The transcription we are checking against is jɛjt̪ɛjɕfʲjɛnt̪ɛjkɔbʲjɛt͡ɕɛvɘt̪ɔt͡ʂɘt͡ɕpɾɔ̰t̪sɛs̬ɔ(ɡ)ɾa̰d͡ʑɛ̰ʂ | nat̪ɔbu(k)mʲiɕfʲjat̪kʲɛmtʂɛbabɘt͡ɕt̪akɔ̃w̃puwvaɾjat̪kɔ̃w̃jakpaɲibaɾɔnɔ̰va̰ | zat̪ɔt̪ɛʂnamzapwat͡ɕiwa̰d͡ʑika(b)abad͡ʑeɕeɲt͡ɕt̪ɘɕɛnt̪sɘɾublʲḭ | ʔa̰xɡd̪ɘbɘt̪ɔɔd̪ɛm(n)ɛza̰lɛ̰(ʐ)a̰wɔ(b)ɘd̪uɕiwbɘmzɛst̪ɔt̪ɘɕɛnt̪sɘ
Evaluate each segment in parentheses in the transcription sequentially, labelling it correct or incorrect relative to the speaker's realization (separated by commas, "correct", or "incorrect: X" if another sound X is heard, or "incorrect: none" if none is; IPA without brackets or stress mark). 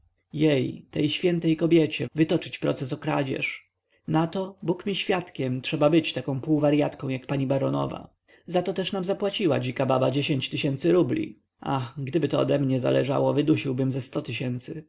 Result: incorrect: k, correct, correct, incorrect: ɲ, correct, incorrect: v